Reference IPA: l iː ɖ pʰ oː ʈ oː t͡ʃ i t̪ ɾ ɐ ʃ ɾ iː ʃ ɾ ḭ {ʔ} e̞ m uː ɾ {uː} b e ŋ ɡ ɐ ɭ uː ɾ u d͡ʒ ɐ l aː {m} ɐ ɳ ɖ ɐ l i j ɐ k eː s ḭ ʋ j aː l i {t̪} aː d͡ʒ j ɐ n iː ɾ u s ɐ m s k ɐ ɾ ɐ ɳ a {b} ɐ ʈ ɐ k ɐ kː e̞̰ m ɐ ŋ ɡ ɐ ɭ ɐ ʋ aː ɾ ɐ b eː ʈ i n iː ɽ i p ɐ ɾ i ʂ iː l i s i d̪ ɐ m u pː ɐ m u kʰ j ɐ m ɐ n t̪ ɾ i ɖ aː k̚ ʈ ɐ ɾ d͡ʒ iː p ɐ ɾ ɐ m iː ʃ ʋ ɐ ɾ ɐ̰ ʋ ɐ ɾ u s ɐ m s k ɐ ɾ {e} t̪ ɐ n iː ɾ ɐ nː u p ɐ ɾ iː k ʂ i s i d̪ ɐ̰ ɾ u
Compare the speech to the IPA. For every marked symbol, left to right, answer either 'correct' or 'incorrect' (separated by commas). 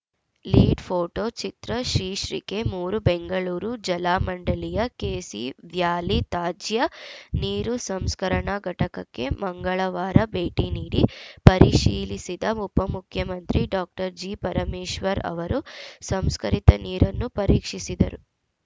incorrect, incorrect, correct, correct, incorrect, incorrect